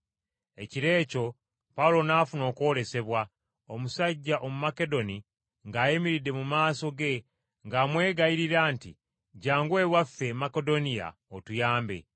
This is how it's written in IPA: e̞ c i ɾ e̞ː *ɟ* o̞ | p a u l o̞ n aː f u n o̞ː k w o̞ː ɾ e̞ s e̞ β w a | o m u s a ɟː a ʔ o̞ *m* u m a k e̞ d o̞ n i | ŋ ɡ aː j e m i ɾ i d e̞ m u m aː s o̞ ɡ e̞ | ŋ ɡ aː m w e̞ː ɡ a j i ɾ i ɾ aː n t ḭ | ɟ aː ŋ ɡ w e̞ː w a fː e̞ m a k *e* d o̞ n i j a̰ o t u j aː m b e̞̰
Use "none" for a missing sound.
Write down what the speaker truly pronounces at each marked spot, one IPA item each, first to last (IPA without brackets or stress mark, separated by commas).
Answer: c, m, e